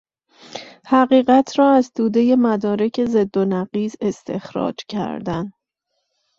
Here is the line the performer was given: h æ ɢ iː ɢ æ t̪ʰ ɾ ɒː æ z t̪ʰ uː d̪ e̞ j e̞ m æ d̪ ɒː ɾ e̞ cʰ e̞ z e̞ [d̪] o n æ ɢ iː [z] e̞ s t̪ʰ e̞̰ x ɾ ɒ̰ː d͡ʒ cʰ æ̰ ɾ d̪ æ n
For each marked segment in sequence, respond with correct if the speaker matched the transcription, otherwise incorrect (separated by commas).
incorrect, correct